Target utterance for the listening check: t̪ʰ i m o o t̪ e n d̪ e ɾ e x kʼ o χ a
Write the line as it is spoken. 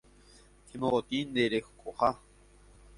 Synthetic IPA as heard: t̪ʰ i m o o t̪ i n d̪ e ɾ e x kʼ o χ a